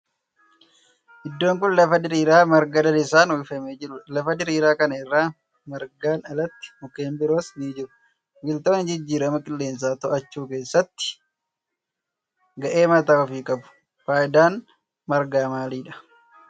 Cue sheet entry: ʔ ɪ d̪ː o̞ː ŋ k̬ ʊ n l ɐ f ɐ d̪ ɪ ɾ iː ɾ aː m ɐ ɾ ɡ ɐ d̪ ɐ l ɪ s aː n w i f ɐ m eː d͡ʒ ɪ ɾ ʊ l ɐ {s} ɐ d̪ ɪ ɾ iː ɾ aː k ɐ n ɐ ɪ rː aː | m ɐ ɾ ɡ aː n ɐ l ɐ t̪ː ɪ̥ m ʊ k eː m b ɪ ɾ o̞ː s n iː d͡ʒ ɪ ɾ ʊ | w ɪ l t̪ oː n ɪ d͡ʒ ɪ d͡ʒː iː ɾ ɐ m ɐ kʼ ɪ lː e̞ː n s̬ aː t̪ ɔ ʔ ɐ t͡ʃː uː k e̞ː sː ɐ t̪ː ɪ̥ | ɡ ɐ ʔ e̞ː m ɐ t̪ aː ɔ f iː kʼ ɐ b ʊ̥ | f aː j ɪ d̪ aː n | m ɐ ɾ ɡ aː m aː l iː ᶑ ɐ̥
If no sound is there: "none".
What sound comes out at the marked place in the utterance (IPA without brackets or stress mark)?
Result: f